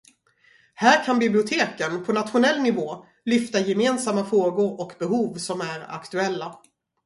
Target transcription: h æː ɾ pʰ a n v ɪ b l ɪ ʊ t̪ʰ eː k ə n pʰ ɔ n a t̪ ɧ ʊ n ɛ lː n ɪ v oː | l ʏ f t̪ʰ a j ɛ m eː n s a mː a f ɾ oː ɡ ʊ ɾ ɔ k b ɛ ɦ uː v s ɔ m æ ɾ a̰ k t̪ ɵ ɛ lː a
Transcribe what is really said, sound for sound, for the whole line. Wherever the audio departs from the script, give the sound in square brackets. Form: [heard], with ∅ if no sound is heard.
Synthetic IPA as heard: h æː ɾ [kʰ] a n [b] ɪ b l ɪ ʊ t̪ʰ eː k ə n pʰ ɔ n a t̪ ɧ ʊ n ɛ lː n ɪ v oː | l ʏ f [t̪] a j ɛ m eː n s a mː a f ɾ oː ɡ ʊ ɾ ɔ k b ɛ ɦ uː v s ɔ m æ ɾ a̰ k t̪ ɵ ɛ lː a